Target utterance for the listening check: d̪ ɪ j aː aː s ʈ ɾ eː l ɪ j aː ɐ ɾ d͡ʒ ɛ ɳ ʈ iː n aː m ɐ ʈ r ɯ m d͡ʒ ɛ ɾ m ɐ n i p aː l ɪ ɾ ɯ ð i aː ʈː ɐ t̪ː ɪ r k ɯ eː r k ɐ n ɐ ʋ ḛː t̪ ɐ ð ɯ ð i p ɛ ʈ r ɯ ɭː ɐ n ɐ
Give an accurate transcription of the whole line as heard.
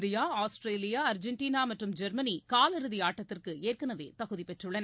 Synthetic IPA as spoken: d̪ ɪ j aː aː s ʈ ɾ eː l ɪ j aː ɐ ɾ d͡ʒ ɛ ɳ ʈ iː n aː m ɐ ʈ r ɯ m d͡ʒ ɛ ɾ m ɐ n i k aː l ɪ ɾ ɯ ð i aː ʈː ɐ t̪ː ɪ r k ɯ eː r k ɐ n ɐ ʋ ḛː t̪ ɐ ɣ ɯ ð i p ɛ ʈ r ɯ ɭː ɐ n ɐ